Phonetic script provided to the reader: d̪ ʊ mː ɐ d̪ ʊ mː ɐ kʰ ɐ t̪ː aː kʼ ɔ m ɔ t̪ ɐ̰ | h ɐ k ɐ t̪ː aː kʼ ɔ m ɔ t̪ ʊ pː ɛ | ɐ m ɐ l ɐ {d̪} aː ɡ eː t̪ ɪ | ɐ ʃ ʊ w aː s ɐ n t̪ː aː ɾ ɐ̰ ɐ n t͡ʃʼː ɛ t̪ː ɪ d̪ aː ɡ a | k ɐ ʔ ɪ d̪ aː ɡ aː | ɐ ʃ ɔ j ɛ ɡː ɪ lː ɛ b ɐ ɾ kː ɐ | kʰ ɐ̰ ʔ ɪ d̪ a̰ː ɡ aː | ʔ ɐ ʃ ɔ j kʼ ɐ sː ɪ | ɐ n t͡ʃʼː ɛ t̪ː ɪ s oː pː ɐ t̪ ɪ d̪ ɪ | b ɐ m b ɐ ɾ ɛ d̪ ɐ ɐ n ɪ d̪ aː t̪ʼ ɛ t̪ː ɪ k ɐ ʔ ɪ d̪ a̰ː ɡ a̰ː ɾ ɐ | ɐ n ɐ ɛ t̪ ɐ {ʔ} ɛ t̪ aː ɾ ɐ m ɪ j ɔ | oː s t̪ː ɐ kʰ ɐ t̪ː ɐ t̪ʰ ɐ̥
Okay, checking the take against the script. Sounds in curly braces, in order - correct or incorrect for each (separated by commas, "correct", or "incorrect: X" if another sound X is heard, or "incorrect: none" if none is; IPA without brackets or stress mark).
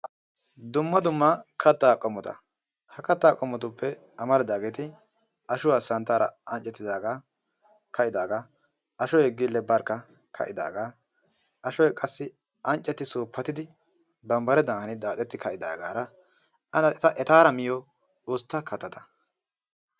correct, correct